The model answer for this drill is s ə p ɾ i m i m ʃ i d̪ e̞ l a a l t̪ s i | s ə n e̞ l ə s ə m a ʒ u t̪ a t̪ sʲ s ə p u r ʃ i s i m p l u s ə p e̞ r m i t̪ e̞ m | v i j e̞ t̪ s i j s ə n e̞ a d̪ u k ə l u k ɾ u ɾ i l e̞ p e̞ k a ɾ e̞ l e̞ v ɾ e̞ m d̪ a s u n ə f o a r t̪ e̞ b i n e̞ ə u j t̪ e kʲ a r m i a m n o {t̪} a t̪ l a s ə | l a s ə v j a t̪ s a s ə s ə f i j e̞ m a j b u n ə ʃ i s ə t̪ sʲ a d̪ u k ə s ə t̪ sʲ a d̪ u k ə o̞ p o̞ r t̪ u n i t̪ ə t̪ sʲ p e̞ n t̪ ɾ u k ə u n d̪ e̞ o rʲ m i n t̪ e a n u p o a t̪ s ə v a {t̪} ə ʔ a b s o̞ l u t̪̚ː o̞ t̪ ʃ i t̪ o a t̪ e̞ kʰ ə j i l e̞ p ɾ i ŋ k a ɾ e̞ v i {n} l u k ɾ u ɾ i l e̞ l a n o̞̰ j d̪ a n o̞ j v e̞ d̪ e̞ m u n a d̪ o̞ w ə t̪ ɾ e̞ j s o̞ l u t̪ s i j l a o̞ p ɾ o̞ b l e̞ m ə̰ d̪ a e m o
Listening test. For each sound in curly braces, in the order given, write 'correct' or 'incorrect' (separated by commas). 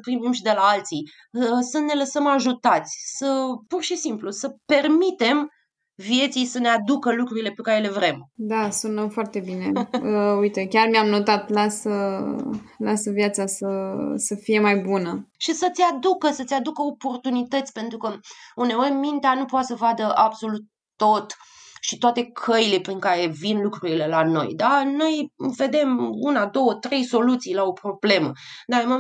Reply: correct, incorrect, correct